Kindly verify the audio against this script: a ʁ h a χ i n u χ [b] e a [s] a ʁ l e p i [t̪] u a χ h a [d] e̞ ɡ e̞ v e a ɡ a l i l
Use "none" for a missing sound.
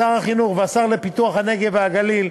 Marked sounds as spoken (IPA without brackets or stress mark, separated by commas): v, s, t̪, n